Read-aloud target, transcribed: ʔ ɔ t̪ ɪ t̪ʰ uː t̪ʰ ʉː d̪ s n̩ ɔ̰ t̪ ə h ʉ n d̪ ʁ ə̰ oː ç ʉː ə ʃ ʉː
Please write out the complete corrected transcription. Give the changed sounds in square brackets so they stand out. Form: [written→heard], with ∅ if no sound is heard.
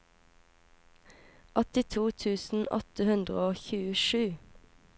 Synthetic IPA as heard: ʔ ɔ t̪ ɪ t̪ʰ uː t̪ʰ ʉː [d̪→∅] s n̩ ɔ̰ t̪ ə h ʉ n d̪ ʁ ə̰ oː ç ʉː ə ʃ ʉː